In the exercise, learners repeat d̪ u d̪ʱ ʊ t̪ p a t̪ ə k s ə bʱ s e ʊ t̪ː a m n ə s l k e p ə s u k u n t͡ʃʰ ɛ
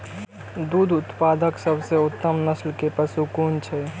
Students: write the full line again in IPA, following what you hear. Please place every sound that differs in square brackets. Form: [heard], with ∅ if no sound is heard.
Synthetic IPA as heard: d̪ u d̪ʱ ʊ t̪ p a [d̪] ə k s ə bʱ s e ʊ t̪ː [ə] m n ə s l k e p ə s u k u n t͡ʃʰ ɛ